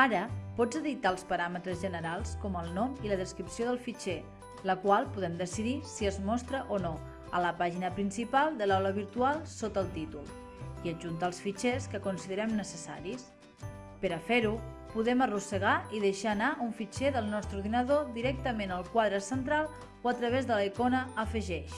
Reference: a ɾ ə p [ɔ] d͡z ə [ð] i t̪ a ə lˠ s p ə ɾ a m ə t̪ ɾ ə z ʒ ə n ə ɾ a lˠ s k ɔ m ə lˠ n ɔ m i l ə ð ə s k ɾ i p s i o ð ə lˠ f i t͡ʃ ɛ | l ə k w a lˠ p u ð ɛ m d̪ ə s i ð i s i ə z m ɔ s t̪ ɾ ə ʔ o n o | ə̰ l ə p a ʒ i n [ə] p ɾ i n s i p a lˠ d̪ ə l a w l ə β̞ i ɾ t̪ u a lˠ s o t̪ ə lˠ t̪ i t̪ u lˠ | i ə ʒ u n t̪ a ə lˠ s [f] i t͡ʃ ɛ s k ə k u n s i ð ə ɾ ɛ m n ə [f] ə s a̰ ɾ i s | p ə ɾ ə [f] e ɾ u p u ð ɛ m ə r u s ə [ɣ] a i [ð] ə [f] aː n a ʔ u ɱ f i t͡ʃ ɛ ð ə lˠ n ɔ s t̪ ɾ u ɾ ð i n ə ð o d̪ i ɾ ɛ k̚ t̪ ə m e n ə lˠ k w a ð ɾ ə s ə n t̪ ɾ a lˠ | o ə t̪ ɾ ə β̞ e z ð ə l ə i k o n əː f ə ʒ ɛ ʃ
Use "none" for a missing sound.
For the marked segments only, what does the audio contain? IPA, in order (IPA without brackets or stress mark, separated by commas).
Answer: ɔ, ð, ə, f, s, f, ɣ, ð, ʃ